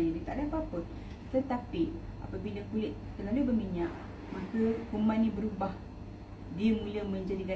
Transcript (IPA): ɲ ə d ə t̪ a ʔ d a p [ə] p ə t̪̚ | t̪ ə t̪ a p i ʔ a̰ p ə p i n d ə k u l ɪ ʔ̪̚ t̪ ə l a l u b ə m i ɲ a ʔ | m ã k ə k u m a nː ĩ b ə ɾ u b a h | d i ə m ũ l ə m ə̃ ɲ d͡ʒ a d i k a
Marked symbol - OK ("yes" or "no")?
no